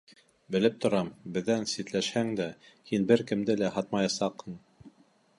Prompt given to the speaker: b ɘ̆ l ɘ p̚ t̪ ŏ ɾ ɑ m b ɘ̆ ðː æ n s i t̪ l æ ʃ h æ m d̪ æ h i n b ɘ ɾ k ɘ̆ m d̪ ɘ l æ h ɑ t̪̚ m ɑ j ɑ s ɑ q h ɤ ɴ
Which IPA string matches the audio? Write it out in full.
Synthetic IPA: b ɘ̆ l ɘ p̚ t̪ ŏ ɾ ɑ m b ɘ̆ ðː æ n s i t̪ l æ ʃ h æ ŋ d̪ æ h i n b ɘ ɾ k ɘ̆ m d̪ ɘ l æ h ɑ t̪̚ m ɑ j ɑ s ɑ q h ɤ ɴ